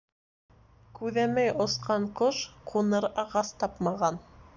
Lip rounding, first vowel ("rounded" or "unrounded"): rounded